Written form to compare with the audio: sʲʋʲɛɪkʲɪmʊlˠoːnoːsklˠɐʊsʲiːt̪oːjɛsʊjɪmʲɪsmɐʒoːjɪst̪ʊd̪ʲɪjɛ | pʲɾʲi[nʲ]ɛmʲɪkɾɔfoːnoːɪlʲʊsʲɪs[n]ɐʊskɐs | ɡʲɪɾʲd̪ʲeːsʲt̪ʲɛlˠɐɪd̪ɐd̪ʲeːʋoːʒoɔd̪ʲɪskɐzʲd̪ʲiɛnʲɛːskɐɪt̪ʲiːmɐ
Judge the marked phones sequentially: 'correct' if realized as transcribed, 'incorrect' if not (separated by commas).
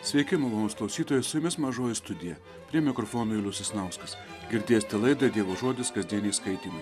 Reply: incorrect, correct